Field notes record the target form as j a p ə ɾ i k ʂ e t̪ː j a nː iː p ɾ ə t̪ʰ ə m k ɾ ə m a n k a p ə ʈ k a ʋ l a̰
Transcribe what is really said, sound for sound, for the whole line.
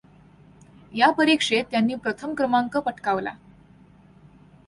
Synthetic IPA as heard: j a p ə ɾ i k ʂ e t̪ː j a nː iː p ɾ ə t̪ʰ ə m k ɾ ə m a ŋ k ə p ə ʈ k a ʋ l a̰

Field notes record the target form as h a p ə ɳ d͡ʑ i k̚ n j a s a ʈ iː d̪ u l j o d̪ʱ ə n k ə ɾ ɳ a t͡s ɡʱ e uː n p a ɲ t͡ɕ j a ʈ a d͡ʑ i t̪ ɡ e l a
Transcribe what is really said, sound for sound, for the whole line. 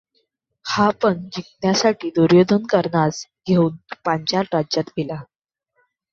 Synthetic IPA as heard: h a p ə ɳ d͡ʑ i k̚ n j a s a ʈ iː d̪ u ɾ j o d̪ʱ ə n k ə ɾ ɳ a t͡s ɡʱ e uː n p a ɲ t͡ɕ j a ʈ a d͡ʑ a t̪ ɡ e l a

